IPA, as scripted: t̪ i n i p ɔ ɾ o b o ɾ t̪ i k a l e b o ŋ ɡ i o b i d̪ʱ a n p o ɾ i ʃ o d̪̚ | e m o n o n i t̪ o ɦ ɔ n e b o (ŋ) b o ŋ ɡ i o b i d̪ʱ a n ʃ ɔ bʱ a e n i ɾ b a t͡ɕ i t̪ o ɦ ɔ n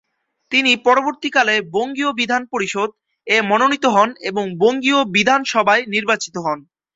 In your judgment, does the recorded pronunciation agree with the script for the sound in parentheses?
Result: yes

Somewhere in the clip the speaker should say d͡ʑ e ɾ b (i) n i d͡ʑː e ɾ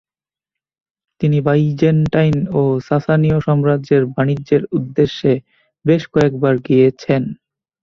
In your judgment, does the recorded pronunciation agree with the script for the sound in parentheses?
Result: no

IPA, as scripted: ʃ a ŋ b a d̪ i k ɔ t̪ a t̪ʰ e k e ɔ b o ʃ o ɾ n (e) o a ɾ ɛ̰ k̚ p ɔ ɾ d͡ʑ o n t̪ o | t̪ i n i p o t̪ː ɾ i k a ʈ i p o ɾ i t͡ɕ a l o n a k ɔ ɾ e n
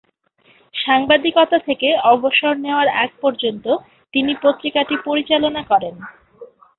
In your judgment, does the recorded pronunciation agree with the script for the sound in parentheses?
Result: yes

